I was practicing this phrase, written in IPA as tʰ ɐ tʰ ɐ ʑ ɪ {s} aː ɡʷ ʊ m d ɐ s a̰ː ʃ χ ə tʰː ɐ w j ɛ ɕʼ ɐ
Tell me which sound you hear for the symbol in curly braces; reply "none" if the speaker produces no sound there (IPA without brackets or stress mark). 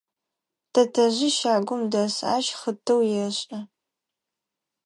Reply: ʃ